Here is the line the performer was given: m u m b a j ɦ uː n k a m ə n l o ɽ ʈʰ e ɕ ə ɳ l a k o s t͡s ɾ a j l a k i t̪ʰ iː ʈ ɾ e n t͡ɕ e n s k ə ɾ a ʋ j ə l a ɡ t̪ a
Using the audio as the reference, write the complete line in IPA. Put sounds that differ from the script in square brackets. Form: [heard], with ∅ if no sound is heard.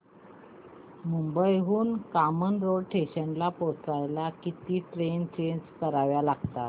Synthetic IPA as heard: m u m b [ə] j ɦ uː n k a m ə n [ɾ] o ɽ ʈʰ e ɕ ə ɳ l a [p] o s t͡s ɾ a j l a k i [t̪] iː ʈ ɾ e n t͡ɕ e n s k ə ɾ a ʋ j [a] l a ɡ t̪ a